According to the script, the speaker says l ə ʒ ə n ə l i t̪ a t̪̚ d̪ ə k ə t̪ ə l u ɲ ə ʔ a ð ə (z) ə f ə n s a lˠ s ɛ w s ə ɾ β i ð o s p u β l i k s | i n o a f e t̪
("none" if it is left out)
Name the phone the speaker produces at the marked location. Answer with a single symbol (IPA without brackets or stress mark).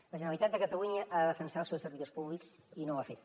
ð